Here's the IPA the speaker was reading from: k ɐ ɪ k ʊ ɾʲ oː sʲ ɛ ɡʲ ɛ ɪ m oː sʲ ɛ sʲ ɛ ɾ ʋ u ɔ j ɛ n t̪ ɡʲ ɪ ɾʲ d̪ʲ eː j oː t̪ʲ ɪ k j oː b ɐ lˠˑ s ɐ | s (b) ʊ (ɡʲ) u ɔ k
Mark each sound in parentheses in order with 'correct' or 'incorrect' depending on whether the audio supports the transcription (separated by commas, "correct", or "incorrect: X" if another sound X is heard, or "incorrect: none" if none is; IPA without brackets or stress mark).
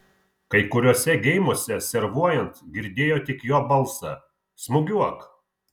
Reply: incorrect: m, correct